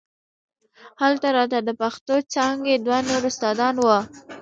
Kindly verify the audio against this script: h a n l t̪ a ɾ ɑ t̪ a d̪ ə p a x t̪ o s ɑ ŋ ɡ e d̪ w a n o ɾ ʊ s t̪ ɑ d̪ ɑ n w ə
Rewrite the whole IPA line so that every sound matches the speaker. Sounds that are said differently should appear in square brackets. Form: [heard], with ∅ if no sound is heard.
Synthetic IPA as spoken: h a [∅] l t̪ a ɾ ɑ t̪ a d̪ ə p a x t̪ o [t͡s] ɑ ŋ ɡ e d̪ w a n o ɾ ʊ s t̪ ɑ d̪ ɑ n w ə